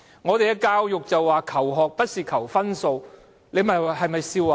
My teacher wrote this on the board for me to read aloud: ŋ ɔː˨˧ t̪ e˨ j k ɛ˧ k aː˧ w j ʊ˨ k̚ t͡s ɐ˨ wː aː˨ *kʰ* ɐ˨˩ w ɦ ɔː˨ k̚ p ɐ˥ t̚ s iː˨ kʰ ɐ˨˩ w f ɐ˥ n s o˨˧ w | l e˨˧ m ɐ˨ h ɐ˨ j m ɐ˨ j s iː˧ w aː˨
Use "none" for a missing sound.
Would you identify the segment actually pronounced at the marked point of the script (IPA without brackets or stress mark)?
kʰ